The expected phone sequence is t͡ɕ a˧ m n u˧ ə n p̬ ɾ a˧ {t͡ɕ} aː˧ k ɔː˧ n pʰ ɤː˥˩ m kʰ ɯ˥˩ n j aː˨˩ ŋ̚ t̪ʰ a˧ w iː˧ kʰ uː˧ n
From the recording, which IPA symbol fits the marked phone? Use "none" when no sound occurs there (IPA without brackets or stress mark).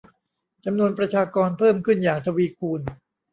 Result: t͡ɕʰ